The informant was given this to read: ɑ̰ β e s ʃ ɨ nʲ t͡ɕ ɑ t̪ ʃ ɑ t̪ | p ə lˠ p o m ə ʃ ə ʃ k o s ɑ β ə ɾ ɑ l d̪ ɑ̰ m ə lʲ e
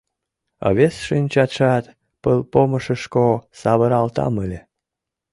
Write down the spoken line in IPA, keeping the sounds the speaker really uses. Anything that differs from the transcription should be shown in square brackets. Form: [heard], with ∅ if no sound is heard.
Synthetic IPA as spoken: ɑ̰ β e s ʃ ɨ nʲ t͡ɕ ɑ t̪ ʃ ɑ t̪ | p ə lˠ p o m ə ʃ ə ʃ k o s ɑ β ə ɾ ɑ l [t̪] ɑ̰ m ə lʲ e